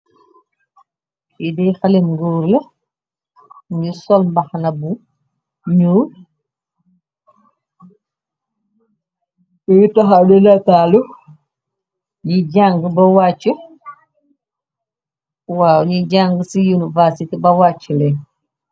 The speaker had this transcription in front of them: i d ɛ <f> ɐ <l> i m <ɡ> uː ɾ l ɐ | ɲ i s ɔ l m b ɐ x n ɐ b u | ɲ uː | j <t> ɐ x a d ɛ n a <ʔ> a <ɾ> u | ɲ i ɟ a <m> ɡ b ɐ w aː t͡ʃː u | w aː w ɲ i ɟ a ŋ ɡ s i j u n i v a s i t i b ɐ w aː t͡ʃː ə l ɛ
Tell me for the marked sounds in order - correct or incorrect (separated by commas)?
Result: incorrect, correct, correct, correct, incorrect, incorrect, incorrect